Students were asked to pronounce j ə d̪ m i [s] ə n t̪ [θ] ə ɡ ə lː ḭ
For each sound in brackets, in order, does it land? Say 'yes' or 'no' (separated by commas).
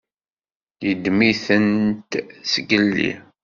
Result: no, no